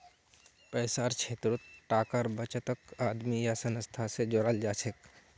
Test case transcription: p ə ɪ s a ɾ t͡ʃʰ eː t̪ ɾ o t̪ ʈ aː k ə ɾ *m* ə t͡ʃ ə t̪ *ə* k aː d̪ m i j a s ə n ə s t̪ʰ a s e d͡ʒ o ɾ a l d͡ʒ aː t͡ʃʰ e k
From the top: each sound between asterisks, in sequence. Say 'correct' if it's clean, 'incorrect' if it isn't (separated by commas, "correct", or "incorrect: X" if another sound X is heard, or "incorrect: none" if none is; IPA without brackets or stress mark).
incorrect: b, correct